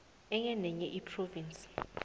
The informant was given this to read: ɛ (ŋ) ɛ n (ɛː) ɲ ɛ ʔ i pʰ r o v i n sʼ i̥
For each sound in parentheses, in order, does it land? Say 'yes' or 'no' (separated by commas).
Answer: yes, no